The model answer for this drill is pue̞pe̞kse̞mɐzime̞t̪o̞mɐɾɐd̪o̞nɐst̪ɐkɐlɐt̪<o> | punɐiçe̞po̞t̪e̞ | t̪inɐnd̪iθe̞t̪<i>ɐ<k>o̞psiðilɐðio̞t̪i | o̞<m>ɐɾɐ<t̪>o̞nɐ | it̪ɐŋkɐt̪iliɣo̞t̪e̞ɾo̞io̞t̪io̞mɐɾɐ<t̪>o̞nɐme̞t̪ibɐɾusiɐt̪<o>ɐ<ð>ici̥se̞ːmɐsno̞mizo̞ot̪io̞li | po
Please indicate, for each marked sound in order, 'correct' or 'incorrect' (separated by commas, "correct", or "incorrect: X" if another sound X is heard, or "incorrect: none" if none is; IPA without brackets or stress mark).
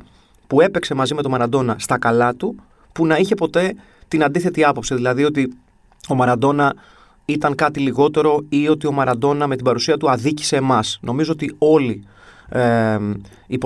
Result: incorrect: u, correct, incorrect: p, correct, incorrect: d̪, incorrect: d̪, incorrect: u, correct